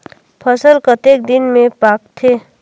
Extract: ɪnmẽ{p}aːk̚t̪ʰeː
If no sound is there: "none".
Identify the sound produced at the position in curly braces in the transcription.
p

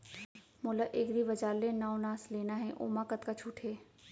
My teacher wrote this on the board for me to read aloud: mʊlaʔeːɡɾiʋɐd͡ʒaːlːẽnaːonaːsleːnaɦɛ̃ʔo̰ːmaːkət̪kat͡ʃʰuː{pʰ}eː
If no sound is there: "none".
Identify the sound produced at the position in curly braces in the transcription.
ʈʰ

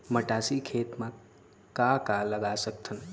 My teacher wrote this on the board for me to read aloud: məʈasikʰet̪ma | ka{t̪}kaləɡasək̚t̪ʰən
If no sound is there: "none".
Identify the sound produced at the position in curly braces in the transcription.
none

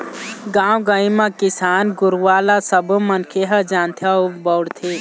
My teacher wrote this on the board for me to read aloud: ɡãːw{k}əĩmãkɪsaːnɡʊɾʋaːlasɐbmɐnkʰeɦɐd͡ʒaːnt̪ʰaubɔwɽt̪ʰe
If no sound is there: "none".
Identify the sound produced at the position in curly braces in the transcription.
ɡ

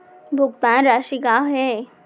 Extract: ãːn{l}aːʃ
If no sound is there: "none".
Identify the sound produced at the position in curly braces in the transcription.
ɾ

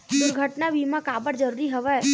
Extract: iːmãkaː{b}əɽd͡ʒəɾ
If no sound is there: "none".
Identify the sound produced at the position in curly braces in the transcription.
b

